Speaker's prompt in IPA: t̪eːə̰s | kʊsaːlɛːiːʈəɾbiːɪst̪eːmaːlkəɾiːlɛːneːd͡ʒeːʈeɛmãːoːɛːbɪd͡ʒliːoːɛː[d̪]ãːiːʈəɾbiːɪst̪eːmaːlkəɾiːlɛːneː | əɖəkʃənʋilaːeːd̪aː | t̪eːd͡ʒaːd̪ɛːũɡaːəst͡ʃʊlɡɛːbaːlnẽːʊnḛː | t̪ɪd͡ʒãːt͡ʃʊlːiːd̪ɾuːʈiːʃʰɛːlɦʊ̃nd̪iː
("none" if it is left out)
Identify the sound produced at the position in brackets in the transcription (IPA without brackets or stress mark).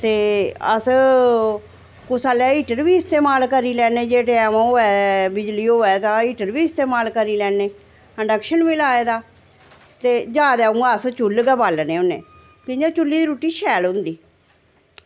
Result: t̪